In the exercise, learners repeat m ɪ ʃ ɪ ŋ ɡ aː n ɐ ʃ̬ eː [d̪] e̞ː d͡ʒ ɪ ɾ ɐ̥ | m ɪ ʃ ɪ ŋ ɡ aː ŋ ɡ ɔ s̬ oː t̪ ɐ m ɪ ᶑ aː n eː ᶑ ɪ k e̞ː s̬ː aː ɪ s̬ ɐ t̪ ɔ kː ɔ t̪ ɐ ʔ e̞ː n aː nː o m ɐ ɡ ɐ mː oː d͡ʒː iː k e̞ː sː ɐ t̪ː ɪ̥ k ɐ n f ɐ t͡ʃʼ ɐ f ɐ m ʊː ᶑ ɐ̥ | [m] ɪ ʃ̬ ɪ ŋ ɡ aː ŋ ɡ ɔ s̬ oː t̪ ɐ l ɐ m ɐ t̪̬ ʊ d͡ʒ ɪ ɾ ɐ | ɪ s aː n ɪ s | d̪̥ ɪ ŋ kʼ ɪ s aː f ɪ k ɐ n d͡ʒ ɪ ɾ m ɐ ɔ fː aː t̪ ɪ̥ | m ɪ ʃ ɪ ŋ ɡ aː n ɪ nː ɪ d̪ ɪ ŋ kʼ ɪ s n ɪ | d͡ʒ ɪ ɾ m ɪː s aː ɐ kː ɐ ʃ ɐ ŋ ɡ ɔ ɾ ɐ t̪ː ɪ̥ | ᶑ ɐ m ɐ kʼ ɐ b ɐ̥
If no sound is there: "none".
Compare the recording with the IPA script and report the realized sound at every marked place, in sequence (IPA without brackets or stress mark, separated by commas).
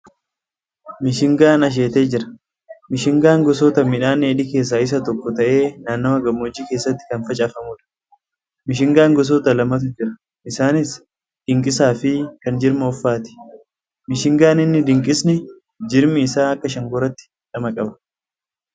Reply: t̪, m